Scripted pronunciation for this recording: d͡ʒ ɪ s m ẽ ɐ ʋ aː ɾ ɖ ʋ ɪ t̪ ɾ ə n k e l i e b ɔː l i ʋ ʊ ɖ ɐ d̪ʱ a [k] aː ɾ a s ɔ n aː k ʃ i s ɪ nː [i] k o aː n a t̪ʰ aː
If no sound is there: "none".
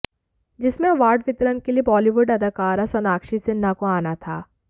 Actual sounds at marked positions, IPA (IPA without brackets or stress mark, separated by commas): k, a